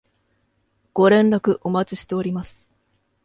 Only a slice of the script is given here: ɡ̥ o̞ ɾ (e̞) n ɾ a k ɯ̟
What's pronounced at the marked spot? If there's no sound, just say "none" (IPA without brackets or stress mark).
ẽ̞